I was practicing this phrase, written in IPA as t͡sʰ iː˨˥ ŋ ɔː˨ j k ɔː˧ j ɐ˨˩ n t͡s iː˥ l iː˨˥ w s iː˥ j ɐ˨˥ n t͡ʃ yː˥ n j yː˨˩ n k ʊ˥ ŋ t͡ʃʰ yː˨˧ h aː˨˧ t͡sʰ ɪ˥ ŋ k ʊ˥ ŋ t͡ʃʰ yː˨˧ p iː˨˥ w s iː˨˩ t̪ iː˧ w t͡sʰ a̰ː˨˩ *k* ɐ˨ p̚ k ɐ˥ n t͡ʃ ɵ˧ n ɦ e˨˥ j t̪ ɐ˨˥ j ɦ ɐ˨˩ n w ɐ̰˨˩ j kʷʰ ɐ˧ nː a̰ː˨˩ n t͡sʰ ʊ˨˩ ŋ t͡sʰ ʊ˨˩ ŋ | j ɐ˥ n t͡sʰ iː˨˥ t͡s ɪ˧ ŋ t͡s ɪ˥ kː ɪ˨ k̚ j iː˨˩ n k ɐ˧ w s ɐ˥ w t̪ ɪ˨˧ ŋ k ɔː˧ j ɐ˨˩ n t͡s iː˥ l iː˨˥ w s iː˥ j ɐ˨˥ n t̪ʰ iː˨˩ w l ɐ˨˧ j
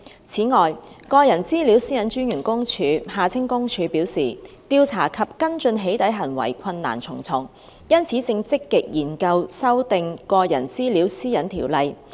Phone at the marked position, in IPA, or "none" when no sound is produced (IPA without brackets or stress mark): kʰ